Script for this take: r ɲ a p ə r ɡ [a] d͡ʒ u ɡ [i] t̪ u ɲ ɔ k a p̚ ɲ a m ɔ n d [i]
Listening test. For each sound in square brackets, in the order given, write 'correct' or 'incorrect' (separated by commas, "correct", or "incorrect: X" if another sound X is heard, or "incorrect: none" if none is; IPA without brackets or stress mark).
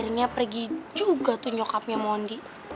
incorrect: i, incorrect: a, correct